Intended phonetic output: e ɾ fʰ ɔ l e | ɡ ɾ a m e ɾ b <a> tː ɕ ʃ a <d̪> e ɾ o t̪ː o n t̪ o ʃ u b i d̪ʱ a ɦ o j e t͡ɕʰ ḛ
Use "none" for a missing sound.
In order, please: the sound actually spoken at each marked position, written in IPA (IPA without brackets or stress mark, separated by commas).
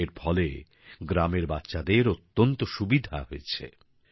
a, d̪